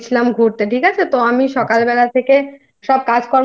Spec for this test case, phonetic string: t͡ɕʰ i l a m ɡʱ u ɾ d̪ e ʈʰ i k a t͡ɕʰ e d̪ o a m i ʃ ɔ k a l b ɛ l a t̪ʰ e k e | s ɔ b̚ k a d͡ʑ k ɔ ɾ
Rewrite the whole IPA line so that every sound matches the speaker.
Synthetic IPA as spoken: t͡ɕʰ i l a m ɡʱ u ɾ t̪ e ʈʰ i k a t͡ɕʰ e t̪ o a m i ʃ ɔ k a l b ɛ l a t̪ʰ e k e | ʃ ɔ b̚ k a d͡ʑ k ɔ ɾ